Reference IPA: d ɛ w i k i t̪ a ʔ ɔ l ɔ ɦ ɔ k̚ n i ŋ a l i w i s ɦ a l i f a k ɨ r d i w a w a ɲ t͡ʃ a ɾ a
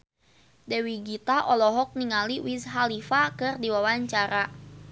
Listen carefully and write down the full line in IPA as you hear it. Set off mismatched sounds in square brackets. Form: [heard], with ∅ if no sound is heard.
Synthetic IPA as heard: d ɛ w i [ɡ] i t̪ a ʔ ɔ l ɔ ɦ ɔ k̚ n i ŋ a l i w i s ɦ a l i f a k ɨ r d i w a w a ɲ t͡ʃ a ɾ a